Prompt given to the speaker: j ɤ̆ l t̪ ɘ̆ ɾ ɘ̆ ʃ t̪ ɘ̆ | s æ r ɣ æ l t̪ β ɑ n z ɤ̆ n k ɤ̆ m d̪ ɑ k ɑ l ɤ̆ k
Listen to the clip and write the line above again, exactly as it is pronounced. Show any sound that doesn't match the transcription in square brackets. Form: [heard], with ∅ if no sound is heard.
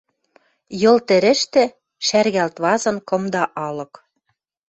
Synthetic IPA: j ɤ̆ l t̪ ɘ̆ ɾ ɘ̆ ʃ t̪ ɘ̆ | [ʃ] æ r ɣ æ l t̪ β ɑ [∅] z ɤ̆ n k ɤ̆ m d̪ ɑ [ʔ] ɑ l ɤ̆ k